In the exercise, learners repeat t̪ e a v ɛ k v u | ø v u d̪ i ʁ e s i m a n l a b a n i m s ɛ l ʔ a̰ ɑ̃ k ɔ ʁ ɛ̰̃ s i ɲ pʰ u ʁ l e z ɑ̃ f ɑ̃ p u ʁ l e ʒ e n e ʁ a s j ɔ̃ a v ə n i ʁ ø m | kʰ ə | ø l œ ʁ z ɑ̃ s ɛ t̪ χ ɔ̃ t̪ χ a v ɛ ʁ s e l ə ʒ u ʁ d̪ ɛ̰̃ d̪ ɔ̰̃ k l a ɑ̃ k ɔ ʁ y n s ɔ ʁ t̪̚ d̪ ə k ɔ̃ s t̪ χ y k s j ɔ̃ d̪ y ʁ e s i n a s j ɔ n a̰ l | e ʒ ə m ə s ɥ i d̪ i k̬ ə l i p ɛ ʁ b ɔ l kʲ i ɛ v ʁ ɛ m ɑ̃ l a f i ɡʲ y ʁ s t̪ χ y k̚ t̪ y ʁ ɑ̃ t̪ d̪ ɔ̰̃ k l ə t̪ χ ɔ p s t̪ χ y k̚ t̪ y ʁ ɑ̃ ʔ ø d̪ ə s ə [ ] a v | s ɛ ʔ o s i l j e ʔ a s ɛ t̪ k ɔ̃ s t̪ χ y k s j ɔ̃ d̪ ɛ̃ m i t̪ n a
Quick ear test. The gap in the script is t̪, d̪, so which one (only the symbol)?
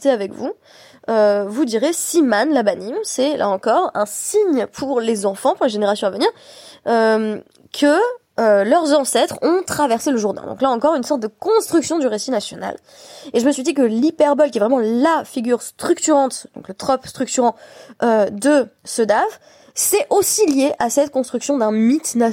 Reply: d̪